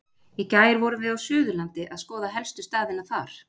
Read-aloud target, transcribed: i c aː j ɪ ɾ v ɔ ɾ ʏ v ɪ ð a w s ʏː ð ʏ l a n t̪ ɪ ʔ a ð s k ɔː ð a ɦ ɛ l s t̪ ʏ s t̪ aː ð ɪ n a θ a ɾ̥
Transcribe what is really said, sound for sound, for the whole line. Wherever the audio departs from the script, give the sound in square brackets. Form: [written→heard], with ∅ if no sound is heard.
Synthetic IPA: i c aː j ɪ ɾ v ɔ ɾ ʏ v ɪ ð a w s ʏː ð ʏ l a n t̪ ɪ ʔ a ð s k ɔː ð a ɦ ɛ l s t̪ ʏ s t̪ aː ð ɪ n a θ a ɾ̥